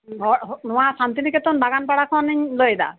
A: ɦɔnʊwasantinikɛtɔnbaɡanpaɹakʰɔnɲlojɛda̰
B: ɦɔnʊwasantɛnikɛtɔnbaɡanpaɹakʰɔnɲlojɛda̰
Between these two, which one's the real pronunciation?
A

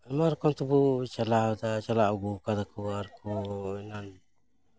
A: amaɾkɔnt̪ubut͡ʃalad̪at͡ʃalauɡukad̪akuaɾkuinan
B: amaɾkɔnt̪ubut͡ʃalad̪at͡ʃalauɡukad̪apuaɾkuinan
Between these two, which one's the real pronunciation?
A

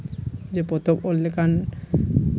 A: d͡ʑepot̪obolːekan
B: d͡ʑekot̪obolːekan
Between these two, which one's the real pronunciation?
A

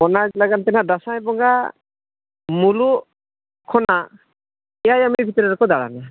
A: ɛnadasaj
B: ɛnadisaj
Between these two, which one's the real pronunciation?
A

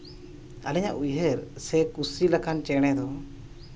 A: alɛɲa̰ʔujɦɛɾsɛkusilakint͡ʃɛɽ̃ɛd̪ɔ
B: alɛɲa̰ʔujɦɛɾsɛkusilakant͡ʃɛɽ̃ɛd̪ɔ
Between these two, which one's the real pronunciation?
B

